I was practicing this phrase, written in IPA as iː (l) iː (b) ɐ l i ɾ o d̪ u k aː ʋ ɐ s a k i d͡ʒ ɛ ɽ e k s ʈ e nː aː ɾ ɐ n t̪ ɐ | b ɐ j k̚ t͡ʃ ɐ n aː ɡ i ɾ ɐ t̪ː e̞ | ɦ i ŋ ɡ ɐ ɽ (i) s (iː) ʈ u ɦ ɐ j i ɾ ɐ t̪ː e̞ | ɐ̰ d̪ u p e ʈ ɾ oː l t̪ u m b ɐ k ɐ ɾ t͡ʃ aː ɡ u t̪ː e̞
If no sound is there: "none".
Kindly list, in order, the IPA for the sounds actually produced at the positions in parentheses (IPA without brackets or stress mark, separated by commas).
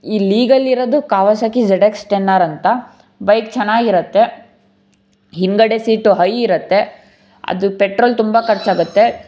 l, ɡ, e, iː